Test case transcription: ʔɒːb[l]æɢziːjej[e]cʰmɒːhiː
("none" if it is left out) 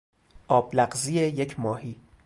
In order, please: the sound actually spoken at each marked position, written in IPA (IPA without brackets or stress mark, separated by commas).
l, e